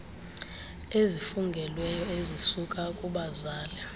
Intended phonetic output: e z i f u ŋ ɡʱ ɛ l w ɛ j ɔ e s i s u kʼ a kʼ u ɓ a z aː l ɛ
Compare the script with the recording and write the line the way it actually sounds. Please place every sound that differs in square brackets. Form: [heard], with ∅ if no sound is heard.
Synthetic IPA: e z i f u ŋ ɡʱ ɛ l w ɛ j ɔ e [z] i s u kʼ a kʼ u ɓ a z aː l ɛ